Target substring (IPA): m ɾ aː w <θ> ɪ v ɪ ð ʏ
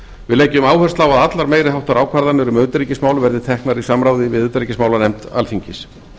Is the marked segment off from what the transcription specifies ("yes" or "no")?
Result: yes